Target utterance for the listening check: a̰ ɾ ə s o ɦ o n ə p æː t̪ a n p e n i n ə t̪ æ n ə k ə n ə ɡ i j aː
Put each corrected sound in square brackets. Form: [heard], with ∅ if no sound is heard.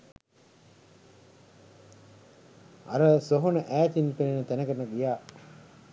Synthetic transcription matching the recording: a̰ ɾ ə s o ɦ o n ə [ʔ] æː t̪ [i] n p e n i n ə t̪ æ n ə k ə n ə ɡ i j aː